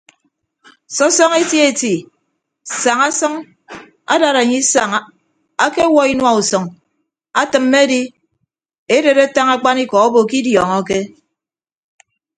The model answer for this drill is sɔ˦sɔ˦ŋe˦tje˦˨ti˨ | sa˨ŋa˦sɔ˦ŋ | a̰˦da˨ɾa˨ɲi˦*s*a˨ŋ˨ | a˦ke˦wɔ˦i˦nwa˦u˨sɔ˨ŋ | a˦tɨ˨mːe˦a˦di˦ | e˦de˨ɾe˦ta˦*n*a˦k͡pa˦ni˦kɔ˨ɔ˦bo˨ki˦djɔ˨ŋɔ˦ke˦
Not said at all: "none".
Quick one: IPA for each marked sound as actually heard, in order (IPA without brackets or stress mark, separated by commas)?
s, ŋ